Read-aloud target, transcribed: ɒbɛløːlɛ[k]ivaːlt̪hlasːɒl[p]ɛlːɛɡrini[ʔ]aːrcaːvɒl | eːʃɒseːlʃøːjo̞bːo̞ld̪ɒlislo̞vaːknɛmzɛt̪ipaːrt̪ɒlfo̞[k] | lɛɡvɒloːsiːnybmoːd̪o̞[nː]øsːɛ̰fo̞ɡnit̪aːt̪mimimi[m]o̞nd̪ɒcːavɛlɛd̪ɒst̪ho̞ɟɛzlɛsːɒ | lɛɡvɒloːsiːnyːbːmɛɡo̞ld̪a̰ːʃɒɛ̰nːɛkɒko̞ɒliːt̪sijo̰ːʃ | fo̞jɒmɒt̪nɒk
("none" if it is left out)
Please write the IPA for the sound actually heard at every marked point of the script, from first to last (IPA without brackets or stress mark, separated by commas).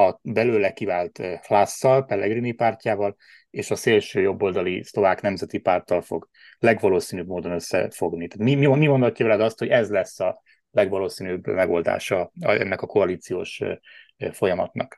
k, p, p, ɡ, n, m